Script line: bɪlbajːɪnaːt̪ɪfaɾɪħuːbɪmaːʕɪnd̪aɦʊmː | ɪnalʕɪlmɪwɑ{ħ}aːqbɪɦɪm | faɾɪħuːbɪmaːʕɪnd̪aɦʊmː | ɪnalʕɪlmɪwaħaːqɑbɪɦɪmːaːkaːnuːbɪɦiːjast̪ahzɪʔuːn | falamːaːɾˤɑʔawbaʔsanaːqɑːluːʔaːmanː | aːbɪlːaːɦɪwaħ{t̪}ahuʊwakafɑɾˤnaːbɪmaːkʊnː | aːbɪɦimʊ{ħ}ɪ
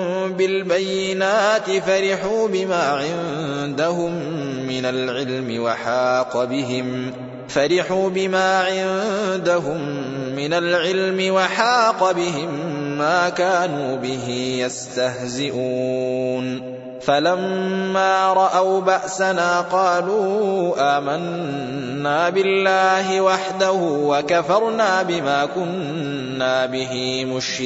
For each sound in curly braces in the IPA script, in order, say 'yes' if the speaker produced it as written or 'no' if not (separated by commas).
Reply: yes, no, no